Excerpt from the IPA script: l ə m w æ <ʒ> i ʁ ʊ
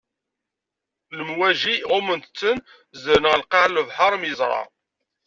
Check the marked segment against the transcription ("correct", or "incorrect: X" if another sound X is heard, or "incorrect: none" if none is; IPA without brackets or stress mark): correct